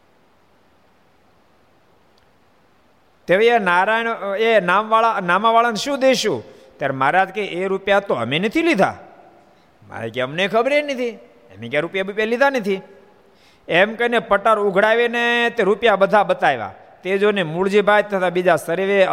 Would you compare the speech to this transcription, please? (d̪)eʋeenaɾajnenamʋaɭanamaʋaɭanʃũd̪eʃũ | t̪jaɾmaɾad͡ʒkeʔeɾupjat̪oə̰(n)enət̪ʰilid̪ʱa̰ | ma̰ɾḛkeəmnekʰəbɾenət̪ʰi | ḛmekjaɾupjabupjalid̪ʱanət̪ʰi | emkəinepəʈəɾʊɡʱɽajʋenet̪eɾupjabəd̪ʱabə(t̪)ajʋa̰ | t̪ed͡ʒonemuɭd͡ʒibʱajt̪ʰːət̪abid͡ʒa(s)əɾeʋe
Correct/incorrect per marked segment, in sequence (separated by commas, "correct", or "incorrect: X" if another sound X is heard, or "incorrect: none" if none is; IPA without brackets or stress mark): incorrect: t̪, incorrect: m, correct, correct